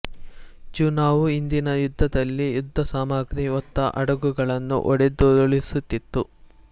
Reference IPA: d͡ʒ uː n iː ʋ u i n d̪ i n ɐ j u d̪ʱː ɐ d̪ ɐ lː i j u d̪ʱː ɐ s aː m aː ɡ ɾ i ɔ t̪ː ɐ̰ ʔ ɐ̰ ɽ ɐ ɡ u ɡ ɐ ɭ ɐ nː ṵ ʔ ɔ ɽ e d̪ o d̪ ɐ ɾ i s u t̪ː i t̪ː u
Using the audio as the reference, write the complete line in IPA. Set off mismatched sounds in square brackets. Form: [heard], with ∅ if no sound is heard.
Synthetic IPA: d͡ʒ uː n [aː] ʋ u i n d̪ i n ɐ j u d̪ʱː ɐ d̪ ɐ lː i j u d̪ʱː ɐ s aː m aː ɡ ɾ i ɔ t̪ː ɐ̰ ʔ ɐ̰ ɽ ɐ ɡ u ɡ ɐ ɭ ɐ nː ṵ ʔ ɔ ɽ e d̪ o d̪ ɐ [ɭ] i s u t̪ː i t̪ː u